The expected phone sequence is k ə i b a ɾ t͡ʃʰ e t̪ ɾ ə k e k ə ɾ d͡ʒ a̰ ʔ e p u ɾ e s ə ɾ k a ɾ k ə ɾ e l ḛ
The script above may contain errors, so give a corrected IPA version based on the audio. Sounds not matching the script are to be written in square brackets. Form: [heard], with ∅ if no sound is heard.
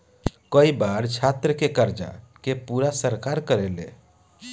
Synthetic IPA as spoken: k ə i b a ɾ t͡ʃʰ [a] t̪ ɾ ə k e k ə ɾ d͡ʒ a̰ [k] e p u ɾ [a] s ə ɾ k a ɾ k ə ɾ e l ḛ